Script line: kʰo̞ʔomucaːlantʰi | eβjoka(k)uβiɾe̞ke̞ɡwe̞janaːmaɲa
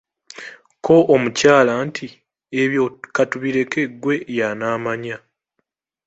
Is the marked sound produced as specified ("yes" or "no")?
no